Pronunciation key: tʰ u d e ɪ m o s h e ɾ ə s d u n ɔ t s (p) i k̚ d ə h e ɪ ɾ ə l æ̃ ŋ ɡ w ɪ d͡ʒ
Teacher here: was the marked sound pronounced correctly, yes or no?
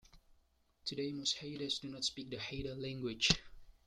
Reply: yes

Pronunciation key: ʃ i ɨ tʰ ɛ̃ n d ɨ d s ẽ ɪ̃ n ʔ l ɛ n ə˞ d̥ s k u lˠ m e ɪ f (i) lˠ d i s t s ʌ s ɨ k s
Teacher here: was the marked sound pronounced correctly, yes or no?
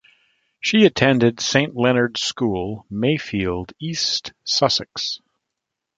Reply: yes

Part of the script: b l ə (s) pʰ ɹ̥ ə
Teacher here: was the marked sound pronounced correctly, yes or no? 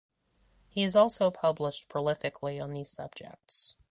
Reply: no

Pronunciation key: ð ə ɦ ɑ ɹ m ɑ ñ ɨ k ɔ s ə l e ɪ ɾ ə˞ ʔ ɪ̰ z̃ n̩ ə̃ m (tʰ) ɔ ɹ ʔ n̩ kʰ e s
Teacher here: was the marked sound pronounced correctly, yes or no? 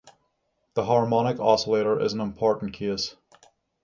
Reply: no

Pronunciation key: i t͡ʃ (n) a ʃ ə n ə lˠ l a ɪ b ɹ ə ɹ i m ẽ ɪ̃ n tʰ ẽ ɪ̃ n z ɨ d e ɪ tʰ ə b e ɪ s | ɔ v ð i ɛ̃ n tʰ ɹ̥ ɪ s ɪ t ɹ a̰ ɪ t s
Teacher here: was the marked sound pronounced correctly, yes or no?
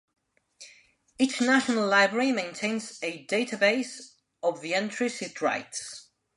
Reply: yes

